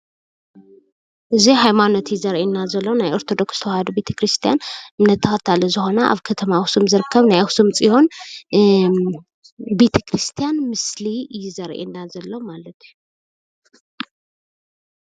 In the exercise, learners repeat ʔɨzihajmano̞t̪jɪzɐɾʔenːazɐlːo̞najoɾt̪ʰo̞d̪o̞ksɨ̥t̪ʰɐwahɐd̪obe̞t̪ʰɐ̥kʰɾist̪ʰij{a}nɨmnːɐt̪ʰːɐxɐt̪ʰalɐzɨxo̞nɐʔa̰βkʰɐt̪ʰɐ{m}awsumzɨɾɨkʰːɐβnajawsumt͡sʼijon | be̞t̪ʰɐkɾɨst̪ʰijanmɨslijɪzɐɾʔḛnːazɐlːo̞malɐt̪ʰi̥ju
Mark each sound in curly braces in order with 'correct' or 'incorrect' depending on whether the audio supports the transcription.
correct, correct

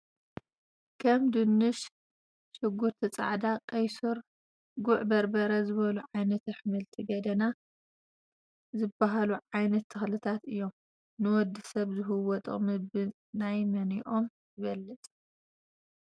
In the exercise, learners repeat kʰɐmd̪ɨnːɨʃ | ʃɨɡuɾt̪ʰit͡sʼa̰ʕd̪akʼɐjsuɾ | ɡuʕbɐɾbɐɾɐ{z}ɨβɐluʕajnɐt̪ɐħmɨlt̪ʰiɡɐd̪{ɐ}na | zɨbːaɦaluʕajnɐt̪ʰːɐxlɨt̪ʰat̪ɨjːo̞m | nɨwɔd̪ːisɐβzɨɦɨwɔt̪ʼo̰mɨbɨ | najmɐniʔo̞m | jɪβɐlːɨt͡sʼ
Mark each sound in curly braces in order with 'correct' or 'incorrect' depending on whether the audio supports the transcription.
correct, correct

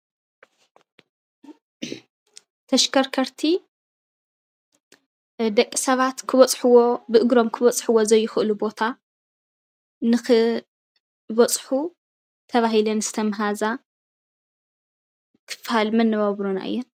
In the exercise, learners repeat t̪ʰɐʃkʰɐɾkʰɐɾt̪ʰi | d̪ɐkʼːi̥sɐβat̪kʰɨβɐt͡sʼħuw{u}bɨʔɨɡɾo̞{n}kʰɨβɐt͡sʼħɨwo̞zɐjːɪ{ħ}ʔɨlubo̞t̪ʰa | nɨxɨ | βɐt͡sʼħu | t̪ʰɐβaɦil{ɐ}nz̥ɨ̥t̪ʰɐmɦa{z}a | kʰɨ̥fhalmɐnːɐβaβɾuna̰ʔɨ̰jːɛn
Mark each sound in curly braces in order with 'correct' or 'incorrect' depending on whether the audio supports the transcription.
incorrect: o, incorrect: m, incorrect: x, correct, correct

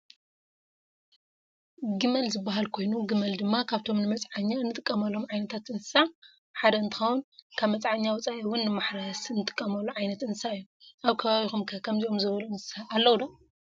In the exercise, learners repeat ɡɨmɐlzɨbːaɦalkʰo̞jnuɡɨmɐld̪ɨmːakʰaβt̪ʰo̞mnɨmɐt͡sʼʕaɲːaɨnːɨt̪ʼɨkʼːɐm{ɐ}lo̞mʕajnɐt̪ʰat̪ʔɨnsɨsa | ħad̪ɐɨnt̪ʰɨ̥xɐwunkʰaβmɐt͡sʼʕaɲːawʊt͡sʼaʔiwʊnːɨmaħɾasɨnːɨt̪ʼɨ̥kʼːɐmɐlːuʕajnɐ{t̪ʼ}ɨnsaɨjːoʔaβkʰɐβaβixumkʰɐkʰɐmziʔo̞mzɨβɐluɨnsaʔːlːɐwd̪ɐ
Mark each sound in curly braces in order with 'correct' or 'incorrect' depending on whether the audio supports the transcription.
correct, incorrect: t̪

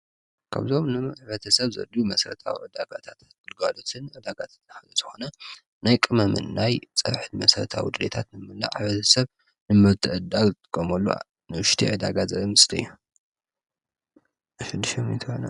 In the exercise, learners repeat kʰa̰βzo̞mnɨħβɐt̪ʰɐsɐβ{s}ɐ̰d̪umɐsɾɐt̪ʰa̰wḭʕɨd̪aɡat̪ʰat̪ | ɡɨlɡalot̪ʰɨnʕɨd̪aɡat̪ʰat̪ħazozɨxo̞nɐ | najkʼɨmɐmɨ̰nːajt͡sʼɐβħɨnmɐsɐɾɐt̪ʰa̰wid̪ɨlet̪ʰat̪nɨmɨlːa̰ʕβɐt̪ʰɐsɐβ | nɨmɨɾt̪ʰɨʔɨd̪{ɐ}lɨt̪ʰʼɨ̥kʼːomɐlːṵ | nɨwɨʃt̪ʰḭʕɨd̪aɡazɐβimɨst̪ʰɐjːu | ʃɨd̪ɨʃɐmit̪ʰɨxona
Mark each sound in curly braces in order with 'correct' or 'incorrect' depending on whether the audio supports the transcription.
incorrect: z, incorrect: a

